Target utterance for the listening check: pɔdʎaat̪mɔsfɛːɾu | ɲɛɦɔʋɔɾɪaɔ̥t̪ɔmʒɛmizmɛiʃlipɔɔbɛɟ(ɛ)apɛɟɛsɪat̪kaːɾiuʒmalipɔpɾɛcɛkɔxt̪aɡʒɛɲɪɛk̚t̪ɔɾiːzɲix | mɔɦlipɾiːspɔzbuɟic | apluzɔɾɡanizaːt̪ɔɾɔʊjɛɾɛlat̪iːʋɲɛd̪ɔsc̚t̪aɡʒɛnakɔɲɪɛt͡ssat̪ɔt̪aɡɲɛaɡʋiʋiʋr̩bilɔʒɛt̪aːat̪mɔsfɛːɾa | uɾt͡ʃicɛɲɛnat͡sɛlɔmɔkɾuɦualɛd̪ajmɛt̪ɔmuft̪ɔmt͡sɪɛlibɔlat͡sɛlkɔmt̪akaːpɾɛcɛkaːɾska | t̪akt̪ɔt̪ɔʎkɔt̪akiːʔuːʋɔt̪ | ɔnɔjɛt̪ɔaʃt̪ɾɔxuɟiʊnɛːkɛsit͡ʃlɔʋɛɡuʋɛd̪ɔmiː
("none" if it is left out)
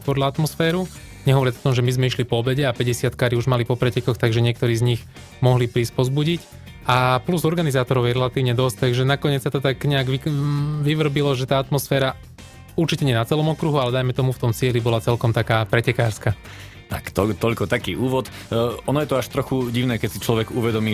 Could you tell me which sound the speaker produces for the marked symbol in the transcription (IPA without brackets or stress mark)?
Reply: ɛ